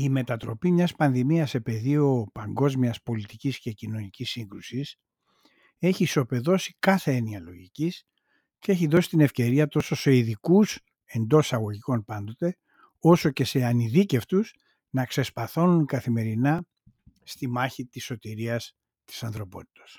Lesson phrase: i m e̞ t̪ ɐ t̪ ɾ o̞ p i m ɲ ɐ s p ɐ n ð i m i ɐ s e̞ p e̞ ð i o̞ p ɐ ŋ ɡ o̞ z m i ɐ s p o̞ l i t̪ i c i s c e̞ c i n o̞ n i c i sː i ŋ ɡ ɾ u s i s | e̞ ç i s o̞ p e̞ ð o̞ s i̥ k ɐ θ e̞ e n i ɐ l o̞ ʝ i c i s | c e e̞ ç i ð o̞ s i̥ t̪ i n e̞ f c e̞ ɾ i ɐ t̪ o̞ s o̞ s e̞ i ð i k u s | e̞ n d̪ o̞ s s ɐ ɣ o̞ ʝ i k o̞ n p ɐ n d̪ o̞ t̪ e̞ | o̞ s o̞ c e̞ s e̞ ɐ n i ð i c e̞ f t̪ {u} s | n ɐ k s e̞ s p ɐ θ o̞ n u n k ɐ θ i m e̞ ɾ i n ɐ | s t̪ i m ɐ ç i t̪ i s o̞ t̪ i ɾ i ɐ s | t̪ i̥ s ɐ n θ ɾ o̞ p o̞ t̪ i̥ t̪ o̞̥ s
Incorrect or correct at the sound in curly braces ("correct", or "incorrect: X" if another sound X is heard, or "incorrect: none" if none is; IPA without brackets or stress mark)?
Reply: correct